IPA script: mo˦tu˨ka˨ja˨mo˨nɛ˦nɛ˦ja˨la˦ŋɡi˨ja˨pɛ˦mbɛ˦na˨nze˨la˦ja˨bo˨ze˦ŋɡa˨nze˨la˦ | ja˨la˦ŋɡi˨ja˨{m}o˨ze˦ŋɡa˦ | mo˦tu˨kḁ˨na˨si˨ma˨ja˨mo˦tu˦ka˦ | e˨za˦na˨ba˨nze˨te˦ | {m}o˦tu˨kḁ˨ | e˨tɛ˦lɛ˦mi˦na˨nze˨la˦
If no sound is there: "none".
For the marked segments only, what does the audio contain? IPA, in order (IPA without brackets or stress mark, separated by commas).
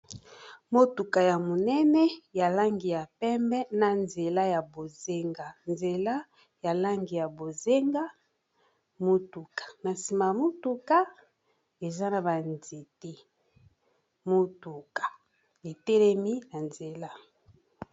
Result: b, m